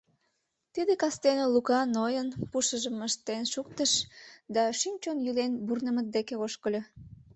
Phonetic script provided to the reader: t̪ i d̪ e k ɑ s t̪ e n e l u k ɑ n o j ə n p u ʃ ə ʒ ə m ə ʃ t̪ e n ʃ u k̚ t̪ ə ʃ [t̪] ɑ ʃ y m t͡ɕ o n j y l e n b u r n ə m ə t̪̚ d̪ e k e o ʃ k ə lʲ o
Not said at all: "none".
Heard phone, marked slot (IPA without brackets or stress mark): d̪